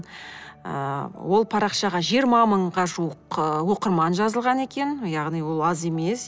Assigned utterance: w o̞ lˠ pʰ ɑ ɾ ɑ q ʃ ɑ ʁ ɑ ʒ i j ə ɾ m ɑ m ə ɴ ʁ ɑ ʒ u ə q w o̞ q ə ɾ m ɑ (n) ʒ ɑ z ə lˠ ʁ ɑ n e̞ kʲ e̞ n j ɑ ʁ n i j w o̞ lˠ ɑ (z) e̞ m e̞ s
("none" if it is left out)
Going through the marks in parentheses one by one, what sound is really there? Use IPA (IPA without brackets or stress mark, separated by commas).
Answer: n, z